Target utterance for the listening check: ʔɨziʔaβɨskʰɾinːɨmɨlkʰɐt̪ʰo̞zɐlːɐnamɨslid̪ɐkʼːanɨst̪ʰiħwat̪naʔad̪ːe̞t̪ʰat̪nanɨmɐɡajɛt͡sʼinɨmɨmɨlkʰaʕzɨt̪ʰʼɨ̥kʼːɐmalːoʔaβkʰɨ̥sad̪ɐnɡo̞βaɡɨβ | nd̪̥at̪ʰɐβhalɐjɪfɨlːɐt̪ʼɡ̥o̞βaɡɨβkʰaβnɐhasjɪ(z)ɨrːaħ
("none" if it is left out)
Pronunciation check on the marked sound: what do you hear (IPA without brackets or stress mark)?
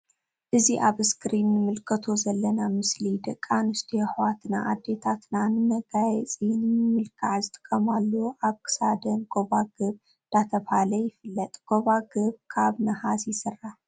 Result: s